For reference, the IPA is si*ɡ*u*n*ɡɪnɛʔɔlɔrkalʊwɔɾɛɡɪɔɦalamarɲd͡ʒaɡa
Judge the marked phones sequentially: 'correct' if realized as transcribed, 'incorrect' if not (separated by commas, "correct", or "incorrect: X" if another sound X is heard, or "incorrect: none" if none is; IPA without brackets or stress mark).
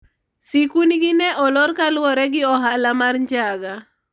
incorrect: k, correct